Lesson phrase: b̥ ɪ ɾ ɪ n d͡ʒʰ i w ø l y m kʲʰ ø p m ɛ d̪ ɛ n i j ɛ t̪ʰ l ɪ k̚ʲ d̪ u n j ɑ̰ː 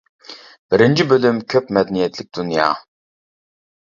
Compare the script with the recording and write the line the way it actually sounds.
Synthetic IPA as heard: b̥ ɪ ɾ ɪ n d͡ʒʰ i b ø l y m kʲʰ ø p m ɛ d̪ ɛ n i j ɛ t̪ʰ l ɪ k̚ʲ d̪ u n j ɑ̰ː